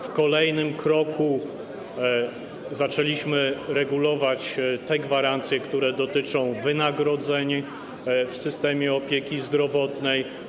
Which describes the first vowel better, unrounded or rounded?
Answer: rounded